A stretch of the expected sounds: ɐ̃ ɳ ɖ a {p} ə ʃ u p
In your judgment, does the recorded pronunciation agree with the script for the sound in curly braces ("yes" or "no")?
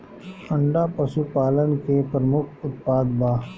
yes